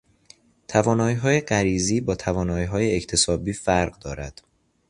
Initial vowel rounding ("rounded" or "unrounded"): unrounded